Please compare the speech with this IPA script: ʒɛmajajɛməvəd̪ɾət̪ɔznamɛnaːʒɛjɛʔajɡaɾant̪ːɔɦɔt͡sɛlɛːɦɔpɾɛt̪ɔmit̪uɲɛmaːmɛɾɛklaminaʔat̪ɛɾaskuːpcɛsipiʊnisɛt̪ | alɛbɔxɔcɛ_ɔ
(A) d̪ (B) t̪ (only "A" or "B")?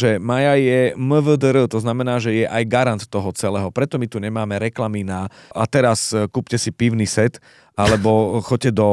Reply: A